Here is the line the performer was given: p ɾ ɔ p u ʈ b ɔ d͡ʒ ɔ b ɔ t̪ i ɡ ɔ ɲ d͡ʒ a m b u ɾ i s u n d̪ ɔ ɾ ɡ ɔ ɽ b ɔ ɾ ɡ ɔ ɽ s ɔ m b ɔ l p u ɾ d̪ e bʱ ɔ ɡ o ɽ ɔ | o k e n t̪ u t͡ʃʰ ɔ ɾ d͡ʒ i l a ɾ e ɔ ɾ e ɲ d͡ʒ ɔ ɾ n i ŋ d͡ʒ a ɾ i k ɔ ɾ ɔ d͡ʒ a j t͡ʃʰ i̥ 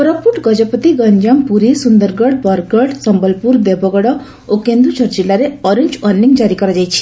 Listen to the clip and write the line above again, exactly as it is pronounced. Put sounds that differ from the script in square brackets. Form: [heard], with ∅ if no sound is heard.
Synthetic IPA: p ɾ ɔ p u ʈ [ɡ] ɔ d͡ʒ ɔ [p] ɔ t̪ i ɡ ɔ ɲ d͡ʒ a m [p] u ɾ i s u n d̪ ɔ ɾ ɡ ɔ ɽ b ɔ ɾ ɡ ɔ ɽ s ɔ m b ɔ l p u ɾ d̪ e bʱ ɔ ɡ [ɔ] ɽ ɔ | o k e n [d̪] u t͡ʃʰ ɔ ɾ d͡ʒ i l a ɾ e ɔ ɾ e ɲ d͡ʒ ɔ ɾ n i ŋ d͡ʒ a ɾ i k ɔ ɾ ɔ d͡ʒ a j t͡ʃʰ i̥